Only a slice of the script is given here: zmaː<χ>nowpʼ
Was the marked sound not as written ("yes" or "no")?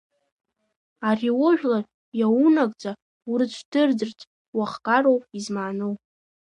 yes